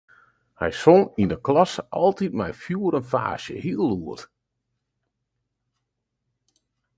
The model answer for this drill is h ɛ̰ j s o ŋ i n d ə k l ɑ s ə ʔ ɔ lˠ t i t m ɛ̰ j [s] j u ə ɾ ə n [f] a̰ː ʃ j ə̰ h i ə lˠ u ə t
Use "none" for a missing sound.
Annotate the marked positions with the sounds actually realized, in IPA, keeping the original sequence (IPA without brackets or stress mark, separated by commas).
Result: f, f